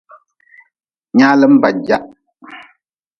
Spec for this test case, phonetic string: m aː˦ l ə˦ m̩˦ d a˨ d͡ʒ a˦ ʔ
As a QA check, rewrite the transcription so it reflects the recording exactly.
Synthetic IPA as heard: ɲ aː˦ l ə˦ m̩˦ b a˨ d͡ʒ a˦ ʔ